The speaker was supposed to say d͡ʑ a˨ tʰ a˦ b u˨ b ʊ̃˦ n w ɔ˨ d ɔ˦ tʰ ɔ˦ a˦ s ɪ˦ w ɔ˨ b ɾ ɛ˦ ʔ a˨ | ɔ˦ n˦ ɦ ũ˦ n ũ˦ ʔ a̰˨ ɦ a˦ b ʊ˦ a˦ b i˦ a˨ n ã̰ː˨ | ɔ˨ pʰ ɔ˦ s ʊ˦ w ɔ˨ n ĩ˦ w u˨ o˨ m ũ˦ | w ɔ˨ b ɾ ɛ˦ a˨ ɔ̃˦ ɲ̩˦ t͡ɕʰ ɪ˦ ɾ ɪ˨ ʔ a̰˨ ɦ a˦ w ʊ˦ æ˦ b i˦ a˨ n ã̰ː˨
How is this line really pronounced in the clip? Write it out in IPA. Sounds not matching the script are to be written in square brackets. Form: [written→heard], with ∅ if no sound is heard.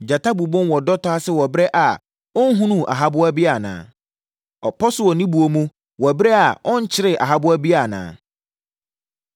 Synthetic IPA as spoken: d͡ʑ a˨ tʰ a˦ b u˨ b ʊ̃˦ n w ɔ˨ d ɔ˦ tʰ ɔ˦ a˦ s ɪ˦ w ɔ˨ b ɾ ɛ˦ ʔ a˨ | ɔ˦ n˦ ɦ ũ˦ n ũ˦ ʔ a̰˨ ɦ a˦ b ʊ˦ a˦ b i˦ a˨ n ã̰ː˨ | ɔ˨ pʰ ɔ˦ s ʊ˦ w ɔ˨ n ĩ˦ [w→b] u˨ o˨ m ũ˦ | w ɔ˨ b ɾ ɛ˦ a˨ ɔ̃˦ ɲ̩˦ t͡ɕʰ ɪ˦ ɾ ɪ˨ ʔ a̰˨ ɦ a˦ [w→b] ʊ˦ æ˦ b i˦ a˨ n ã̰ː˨